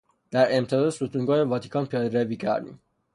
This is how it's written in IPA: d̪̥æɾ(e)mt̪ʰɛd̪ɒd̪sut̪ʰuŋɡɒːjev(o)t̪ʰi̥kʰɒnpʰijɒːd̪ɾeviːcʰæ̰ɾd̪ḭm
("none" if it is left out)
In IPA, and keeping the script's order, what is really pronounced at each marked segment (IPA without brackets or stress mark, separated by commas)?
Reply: e, ɒ